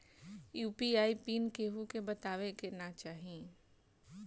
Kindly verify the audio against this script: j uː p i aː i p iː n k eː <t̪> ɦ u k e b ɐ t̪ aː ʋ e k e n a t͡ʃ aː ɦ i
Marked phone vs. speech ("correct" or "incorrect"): incorrect